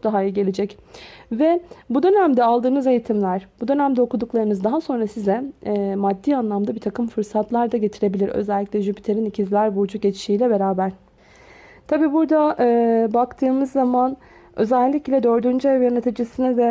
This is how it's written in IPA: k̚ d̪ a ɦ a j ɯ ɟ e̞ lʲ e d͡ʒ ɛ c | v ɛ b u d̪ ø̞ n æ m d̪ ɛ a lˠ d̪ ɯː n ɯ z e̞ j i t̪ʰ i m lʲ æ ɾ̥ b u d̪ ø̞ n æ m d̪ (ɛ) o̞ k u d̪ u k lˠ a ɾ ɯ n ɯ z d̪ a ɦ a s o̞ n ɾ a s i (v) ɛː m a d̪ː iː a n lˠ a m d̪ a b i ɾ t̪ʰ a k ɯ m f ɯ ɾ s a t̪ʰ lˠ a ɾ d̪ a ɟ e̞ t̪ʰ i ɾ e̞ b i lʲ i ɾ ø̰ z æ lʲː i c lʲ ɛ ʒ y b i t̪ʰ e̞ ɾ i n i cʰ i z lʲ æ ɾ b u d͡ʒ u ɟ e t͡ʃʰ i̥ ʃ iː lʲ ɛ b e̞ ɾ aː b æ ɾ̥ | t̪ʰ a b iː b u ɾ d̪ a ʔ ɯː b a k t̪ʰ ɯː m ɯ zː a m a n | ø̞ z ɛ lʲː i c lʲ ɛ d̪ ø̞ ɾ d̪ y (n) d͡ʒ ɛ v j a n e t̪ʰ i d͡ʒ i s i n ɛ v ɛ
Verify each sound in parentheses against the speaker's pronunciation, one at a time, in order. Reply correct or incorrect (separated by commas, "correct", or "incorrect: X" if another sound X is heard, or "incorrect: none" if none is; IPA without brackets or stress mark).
correct, incorrect: z, correct